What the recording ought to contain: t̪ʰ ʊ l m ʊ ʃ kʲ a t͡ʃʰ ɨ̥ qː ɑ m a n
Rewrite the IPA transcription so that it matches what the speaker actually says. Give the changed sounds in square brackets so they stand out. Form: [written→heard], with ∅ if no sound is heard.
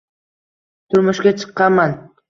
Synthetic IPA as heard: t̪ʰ ʊ [l→ɾ] m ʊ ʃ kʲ a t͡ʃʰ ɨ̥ qː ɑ m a n